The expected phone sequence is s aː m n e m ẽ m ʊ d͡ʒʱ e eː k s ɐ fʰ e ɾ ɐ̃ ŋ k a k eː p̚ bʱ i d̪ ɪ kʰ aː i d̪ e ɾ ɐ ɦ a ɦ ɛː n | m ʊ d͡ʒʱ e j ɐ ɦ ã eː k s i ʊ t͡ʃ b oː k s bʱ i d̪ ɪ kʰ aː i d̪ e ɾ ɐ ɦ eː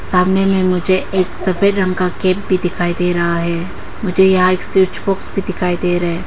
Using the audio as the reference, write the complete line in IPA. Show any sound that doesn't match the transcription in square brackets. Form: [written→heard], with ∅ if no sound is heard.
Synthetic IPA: s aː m n e m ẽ m ʊ d͡ʒʱ e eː k s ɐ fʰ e ɾ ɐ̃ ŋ k a k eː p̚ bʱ i d̪ ɪ kʰ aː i d̪ e ɾ ɐ ɦ a ɦ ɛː [n→∅] | m ʊ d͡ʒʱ e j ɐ ɦ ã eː k s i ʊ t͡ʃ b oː k s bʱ i d̪ ɪ kʰ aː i d̪ e ɾ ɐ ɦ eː